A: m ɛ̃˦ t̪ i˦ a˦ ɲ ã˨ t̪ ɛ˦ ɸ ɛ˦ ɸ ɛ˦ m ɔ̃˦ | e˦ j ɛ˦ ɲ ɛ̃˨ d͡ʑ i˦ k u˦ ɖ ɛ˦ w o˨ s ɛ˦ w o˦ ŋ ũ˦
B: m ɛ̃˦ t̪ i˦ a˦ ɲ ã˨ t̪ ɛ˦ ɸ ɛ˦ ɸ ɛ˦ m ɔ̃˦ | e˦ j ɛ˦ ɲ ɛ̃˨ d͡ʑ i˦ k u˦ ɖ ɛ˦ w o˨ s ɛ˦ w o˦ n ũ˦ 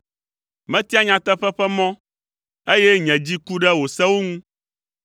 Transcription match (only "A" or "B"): A